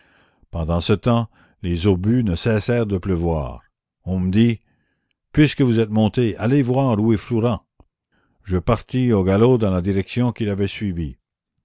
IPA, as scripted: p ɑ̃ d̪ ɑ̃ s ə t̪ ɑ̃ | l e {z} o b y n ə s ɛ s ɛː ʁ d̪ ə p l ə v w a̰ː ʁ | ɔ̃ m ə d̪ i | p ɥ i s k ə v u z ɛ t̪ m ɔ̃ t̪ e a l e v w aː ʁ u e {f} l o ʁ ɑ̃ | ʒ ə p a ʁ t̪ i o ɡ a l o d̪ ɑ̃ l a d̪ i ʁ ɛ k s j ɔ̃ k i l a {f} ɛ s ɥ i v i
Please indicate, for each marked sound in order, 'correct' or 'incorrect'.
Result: correct, correct, incorrect

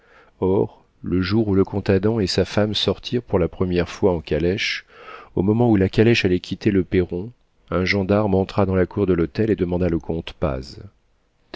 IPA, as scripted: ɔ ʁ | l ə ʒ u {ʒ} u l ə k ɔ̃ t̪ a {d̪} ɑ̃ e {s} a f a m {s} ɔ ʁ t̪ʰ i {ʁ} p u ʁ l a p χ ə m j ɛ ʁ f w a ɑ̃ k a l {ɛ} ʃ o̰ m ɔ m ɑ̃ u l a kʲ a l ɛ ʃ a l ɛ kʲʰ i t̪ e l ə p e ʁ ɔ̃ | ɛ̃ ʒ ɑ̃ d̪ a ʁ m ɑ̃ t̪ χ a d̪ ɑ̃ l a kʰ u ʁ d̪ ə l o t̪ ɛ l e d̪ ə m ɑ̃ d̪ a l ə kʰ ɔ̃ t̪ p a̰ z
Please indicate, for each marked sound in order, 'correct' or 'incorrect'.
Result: incorrect, correct, correct, correct, correct, correct

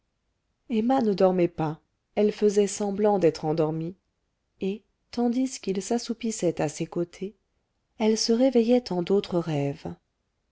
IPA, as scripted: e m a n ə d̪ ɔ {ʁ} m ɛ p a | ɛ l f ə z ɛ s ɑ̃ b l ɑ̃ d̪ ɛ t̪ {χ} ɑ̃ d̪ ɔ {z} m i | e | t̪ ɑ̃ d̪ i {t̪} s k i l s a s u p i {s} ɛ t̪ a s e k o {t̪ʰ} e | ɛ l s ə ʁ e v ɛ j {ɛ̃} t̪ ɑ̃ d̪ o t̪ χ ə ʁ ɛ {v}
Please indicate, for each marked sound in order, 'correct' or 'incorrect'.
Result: correct, correct, incorrect, incorrect, correct, correct, incorrect, correct

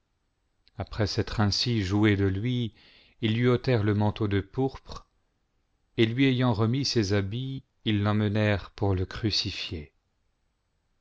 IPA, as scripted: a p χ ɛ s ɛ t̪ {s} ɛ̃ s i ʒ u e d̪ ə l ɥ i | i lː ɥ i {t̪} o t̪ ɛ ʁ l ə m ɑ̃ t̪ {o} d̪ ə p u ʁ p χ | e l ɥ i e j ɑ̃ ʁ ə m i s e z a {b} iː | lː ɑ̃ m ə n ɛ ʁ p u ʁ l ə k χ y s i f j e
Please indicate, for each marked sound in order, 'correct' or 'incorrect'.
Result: incorrect, incorrect, correct, correct

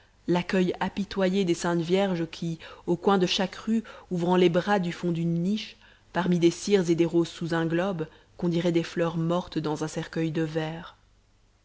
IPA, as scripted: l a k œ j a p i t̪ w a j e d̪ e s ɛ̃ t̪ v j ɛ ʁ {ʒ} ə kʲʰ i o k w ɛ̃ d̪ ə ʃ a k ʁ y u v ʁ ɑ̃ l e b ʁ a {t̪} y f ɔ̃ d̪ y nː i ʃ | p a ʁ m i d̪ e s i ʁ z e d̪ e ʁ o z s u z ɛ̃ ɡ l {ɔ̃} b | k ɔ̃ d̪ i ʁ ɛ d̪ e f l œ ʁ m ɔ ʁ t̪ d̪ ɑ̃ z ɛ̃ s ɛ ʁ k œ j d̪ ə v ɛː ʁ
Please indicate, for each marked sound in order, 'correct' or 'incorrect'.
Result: correct, incorrect, incorrect

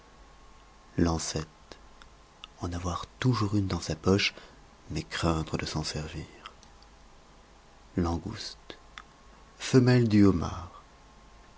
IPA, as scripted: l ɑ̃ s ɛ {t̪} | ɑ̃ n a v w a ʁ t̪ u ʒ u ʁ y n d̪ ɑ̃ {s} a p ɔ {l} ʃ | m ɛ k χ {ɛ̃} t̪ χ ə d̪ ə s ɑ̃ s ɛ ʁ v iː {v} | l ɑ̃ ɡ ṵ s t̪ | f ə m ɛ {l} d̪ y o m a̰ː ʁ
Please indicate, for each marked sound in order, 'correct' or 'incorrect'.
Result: correct, correct, incorrect, correct, incorrect, correct

